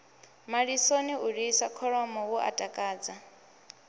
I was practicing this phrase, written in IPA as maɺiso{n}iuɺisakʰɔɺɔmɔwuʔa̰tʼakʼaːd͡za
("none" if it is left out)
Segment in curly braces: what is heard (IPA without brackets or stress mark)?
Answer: n